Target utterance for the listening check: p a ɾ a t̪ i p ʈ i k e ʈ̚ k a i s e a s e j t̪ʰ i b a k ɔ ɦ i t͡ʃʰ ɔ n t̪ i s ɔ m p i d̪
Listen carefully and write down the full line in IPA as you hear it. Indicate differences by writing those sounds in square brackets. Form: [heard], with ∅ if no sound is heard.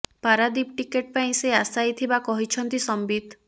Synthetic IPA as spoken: p a ɾ a [d̪] i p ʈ i k e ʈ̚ [p] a [ĩ] s e a s [a] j t̪ʰ i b a k ɔ ɦ i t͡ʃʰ ɔ n t̪ i s ɔ m [b] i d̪